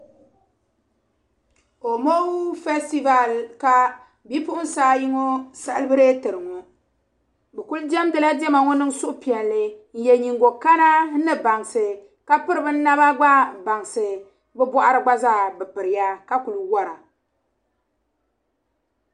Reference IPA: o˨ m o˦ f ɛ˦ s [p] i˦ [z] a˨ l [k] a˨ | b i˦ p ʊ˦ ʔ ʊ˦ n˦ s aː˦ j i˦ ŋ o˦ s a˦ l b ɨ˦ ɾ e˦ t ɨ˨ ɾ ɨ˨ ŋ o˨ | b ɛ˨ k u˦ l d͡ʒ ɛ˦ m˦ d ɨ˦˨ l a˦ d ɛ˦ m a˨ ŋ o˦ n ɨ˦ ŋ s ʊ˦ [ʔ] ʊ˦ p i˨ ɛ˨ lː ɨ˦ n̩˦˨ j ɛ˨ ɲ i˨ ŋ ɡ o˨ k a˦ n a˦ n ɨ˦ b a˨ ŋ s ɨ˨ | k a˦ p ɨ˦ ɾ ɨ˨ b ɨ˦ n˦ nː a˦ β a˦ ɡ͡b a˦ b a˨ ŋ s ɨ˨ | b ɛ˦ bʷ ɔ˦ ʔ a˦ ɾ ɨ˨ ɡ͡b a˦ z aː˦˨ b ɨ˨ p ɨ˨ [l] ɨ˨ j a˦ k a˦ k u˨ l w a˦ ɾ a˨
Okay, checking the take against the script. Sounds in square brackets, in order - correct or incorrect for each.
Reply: incorrect: t, incorrect: v, correct, correct, incorrect: ɾ

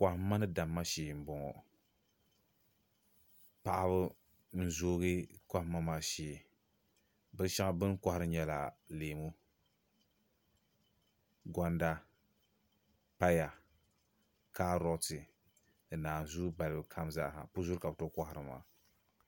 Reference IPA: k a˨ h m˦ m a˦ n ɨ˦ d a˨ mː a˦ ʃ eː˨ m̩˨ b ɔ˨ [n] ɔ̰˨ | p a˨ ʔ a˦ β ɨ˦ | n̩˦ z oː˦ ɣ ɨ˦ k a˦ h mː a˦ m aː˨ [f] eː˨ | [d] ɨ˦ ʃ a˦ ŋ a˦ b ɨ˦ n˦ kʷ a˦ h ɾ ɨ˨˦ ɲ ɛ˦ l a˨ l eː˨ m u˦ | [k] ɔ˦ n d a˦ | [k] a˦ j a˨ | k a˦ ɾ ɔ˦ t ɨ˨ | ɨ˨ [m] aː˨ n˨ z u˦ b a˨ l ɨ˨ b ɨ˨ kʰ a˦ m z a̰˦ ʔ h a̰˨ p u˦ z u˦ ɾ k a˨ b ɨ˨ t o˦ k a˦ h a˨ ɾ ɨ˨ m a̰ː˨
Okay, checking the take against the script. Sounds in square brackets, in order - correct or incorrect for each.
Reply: incorrect: ŋ, incorrect: ʃ, incorrect: b, incorrect: ɡ, incorrect: p, incorrect: n

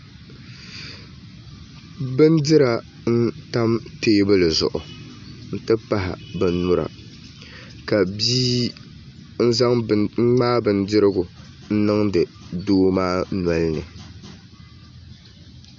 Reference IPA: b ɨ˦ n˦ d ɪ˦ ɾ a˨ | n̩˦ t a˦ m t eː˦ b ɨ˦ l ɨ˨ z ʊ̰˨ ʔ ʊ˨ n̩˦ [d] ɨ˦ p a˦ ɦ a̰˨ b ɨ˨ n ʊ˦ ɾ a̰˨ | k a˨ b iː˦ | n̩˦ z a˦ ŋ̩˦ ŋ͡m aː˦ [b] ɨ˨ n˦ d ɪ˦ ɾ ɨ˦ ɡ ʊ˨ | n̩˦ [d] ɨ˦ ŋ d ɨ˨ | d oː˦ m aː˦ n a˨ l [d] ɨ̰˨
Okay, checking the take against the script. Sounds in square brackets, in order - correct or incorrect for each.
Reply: incorrect: t, correct, incorrect: n, incorrect: n

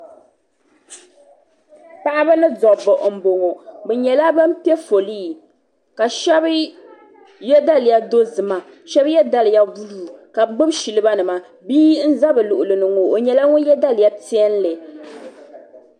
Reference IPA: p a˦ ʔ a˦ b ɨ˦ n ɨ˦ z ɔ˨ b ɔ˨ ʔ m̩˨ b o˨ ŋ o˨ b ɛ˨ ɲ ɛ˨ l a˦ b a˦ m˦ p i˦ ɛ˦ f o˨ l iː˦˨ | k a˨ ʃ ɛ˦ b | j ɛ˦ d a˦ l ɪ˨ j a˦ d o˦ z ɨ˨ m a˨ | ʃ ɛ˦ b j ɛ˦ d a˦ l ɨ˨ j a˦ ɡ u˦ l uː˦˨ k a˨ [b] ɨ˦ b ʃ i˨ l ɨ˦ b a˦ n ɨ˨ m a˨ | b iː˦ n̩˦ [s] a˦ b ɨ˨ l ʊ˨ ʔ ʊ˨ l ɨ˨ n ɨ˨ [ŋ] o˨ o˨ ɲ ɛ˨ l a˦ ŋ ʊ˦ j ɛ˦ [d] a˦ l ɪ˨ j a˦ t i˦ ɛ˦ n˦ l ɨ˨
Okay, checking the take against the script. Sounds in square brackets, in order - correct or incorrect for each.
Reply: incorrect: ɡ͡b, incorrect: z, correct, correct

